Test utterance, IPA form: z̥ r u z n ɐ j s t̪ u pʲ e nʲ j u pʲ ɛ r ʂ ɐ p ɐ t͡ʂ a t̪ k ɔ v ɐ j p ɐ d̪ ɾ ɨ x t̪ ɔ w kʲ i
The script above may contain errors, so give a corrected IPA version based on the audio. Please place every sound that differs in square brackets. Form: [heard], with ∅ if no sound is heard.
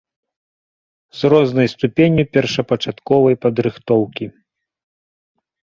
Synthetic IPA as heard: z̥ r [ɔ] z n ɐ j s t̪ u pʲ e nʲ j u pʲ ɛ r ʂ ɐ p ɐ t͡ʂ a t̪ k ɔ v ɐ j p ɐ d̪ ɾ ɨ x t̪ ɔ w kʲ i